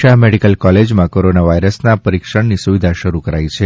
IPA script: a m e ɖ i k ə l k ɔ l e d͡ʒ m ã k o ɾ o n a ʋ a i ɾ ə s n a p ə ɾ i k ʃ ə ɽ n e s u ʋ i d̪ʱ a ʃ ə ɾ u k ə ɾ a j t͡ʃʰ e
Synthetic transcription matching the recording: a m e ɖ i k ə l k ɔ l e d͡ʒ m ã k o ɾ o n a ʋ a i ɾ ə s n a p ə ɾ i k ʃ ə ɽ n i s u ʋ i d̪ʱ a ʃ ə ɾ u k ə ɾ a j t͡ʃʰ e